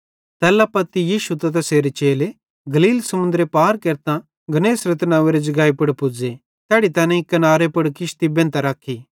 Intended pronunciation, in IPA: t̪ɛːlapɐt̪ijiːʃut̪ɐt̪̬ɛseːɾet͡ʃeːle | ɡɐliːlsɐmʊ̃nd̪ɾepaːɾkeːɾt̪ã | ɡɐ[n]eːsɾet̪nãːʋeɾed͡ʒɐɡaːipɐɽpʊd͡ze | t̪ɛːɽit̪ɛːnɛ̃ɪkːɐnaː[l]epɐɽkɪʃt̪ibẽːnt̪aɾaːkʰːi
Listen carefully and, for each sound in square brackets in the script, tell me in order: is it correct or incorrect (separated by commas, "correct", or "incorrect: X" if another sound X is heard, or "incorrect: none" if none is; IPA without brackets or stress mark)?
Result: correct, incorrect: ɾ